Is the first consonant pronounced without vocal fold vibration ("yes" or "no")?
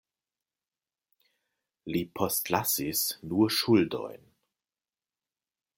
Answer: no